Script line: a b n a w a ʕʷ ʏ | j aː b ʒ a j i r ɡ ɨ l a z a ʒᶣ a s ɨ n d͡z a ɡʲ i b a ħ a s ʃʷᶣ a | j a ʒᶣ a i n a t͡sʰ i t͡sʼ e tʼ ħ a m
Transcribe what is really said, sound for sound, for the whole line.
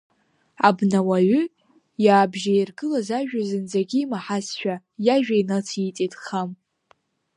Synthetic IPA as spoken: a b n a w a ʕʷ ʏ | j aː b ʒ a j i r ɡ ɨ l a z a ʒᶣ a z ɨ n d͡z a ɡʲ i m a ħ a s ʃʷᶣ a | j a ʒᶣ a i n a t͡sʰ i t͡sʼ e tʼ χ a m